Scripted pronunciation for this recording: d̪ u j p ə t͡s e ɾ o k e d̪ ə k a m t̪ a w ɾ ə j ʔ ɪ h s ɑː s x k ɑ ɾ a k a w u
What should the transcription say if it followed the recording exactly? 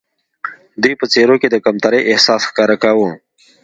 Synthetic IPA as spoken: d̪ u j p ə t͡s e ɾ o k e d̪ ə k a m t̪ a ɾ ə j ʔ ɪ h s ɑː s x k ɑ ɾ a k a w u